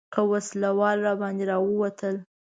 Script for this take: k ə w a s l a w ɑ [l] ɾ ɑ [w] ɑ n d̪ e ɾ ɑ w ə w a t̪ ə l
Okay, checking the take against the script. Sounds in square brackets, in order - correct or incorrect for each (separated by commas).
correct, incorrect